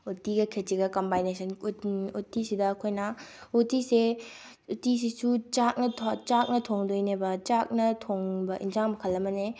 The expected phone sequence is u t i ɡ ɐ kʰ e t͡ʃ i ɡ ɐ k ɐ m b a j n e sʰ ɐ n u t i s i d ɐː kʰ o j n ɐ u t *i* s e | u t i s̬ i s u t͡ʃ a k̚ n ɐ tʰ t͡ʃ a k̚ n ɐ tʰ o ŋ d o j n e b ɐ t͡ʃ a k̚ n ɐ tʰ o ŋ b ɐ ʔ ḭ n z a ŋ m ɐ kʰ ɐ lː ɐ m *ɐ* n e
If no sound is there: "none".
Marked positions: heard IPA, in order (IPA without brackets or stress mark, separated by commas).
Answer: i, ɐ